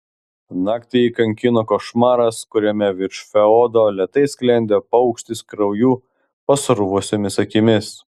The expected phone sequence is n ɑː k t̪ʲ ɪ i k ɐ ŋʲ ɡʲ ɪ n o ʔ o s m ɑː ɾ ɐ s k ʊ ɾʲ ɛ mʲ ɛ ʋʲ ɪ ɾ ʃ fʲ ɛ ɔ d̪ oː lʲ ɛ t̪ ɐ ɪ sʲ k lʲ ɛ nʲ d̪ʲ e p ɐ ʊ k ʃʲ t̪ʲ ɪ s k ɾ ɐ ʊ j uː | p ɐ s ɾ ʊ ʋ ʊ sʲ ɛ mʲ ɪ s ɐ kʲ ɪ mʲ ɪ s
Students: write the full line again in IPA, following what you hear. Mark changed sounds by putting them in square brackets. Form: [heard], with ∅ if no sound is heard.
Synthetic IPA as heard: n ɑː k t̪ʲ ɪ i k ɐ ŋʲ [kʲ] ɪ n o [k] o [ʃ] m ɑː ɾ ɐ s k ʊ ɾʲ ɛ mʲ ɛ ʋʲ ɪ ɾ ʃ fʲ ɛ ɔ d̪ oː lʲ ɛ t̪ ɐ ɪ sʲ k lʲ ɛ nʲ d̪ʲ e p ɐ ʊ k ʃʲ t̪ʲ ɪ s k ɾ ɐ ʊ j uː | p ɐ s ɾ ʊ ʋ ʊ sʲ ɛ mʲ ɪ s ɐ kʲ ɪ mʲ ɪ s